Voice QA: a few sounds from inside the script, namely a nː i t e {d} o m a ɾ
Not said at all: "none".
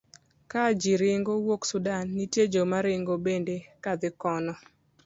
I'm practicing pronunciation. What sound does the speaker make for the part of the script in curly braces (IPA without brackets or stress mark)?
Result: d͡ʒ